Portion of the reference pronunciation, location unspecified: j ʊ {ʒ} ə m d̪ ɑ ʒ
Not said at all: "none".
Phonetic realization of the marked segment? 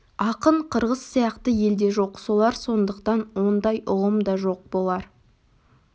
ʁ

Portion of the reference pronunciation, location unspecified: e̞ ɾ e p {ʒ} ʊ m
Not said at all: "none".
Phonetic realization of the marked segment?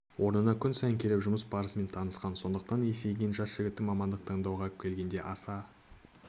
ʒ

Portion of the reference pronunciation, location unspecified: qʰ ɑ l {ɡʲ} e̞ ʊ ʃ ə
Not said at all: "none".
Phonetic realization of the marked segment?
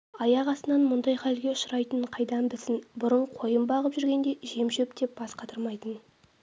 ɡʲ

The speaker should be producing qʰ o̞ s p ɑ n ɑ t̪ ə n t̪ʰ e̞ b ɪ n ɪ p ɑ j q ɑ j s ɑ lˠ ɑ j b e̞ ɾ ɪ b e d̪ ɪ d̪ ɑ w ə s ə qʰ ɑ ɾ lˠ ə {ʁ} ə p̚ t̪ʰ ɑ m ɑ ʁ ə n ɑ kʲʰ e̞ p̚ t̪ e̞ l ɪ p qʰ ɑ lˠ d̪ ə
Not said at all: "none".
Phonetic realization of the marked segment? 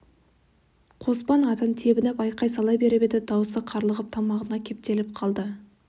ʁ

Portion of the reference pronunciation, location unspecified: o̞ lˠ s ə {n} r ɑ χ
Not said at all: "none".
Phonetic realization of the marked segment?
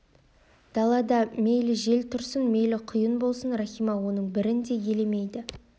n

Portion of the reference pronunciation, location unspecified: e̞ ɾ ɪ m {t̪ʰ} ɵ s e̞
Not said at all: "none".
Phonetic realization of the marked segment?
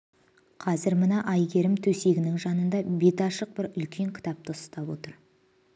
t̪ʰ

